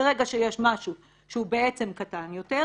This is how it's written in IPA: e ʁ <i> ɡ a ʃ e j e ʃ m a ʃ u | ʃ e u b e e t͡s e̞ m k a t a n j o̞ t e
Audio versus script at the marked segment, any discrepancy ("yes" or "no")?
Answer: yes